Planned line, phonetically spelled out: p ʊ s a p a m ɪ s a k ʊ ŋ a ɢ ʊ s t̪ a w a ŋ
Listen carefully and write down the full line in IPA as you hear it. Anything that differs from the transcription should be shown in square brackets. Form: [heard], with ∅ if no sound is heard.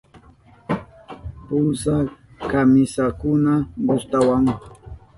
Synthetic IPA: p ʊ s a [k] a m ɪ s a k ʊ [n] a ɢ ʊ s t̪ a w a ŋ